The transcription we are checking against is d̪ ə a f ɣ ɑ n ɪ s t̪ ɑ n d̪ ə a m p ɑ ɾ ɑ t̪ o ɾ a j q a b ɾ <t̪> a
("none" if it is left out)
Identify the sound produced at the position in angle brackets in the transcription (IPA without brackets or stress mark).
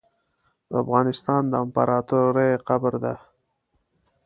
d̪